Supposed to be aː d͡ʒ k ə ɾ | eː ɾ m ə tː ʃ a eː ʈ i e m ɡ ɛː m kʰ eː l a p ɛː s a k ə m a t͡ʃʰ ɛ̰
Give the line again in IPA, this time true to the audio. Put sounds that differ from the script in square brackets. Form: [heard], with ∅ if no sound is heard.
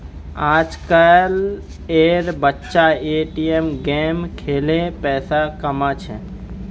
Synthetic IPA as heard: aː d͡ʒ k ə [l] | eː ɾ [b] ə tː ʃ a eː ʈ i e m ɡ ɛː m kʰ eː l [e] p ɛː s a k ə m a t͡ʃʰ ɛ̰